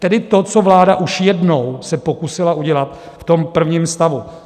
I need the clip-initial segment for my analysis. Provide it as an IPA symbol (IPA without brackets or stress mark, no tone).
t̪